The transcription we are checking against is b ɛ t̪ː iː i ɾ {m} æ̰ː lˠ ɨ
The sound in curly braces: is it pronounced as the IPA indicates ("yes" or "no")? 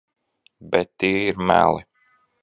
yes